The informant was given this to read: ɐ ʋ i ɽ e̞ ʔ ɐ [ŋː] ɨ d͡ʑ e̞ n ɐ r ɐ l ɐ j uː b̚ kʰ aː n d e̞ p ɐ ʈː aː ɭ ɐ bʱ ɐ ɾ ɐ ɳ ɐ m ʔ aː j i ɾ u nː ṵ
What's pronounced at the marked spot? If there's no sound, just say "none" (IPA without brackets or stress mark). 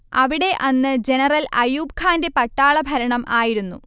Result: nː